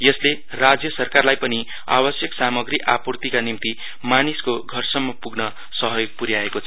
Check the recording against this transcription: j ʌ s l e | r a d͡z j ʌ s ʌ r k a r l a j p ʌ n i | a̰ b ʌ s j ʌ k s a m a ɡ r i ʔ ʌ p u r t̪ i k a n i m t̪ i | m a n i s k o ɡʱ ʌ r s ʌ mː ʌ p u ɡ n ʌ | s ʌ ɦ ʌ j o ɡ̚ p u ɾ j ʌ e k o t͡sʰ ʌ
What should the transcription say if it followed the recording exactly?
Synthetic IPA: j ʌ s l e | r a d͡z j ʌ s ʌ r k a r l a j p ʌ n i | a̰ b ʌ s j ʌ k s a m ʌ ɡ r i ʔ a p u r t̪ i k a n i m t̪ i | m a n i s k o ɡʱ ʌ r s ʌ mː ʌ p u ɡ n ʌ | s ʌ ɦ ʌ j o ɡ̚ p u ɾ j a e k o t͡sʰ ʌ